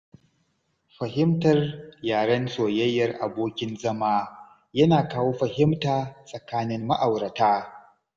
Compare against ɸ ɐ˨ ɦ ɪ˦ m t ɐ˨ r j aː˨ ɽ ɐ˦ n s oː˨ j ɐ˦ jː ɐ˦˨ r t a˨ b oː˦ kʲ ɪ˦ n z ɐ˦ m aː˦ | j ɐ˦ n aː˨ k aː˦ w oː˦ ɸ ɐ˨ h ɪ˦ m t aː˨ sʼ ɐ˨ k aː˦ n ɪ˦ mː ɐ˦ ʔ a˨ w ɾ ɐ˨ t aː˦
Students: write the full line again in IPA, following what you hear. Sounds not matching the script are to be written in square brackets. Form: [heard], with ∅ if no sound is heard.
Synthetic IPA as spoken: ɸ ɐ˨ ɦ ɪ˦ m t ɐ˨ r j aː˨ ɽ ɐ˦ n s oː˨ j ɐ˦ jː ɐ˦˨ r [ʔ] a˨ b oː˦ kʲ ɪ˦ n z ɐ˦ m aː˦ | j ɐ˦ n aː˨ k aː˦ w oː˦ ɸ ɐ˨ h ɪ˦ m t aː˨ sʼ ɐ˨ k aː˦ n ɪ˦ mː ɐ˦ ʔ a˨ w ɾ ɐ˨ t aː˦